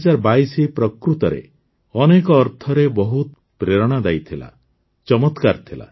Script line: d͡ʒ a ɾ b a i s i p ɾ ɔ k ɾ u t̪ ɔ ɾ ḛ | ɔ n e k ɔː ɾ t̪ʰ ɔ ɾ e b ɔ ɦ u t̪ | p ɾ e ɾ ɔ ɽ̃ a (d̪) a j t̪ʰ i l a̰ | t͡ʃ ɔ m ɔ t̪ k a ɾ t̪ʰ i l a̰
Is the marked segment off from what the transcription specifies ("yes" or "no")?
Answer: no